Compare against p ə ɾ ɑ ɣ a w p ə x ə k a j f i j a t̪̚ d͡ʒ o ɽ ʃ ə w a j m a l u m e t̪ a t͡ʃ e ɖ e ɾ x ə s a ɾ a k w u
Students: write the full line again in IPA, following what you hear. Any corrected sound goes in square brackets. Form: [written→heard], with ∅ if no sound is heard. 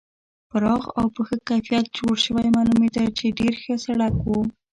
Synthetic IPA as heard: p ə ɾ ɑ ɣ a w p ə x ə k a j f i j a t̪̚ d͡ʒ o ɽ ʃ ə w a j m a l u m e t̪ a t͡ʃ e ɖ e ɾ x ə s a [ɾ→ɽ] a k w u

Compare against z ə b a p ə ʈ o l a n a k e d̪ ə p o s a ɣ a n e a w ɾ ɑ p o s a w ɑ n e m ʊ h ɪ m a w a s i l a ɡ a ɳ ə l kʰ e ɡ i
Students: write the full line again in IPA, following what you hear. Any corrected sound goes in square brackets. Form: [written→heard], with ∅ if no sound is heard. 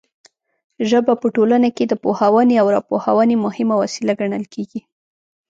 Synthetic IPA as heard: [z→ʒ] ə b a p ə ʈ o l a n a k e d̪ ə p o [s→h] a [ɣ→w] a n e a w ɾ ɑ p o [s→h] a w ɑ n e m ʊ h ɪ m a w a s i l a ɡ a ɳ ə l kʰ e ɡ i

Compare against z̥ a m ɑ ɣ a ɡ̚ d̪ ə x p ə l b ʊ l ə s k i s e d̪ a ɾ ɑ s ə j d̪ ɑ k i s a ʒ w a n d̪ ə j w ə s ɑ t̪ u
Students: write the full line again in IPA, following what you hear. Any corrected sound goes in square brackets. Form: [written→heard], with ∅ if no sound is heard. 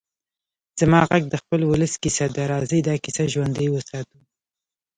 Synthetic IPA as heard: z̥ a m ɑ ɣ a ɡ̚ d̪ ə x p ə l [b→w] ʊ l ə s k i s [e→a] d̪ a ɾ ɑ [s→z] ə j d̪ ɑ k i s a ʒ w a n d̪ ə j w ə s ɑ t̪ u

